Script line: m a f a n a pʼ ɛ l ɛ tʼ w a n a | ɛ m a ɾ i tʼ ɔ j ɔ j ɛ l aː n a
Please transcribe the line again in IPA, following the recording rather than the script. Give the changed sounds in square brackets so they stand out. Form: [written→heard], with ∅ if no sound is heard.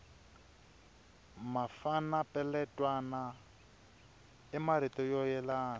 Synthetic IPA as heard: m a f a n a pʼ ɛ l ɛ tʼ w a n a | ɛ m a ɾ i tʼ ɔ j ɔ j ɛ l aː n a